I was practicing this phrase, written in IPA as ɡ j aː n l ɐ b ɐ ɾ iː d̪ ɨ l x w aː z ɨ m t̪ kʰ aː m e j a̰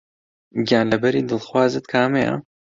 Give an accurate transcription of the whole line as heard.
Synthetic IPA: ɡ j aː n l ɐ b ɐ ɾ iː d̪ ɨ l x w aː z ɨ t̪ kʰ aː m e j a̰